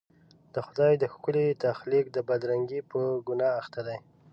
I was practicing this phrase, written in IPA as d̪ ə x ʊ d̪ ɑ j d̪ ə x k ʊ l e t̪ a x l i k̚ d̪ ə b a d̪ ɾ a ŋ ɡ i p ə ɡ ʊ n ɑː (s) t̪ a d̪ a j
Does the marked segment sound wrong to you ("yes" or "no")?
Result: yes